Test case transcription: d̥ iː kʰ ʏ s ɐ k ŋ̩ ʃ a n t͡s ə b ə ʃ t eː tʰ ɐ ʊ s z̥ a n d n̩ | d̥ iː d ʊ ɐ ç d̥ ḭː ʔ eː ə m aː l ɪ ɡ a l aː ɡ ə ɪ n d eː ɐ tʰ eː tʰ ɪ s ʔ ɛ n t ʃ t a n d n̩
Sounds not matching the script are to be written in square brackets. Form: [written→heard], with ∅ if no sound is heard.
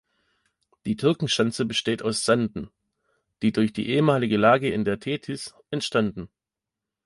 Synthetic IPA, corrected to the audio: d̥ iː [kʰ→tʰ] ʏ [s→∅] ɐ k ŋ̩ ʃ a n t͡s ə b ə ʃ t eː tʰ [ɐ→a] ʊ s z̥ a n d n̩ | d̥ iː d ʊ ɐ ç d̥ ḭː ʔ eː ə m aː l ɪ ɡ [a→ə] l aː ɡ ə ɪ n d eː ɐ tʰ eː tʰ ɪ s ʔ ɛ n t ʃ t a n d n̩